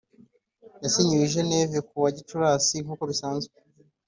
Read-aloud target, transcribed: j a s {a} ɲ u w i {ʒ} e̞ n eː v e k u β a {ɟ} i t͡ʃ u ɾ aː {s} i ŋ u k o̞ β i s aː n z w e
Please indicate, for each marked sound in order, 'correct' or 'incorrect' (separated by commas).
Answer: incorrect, correct, correct, correct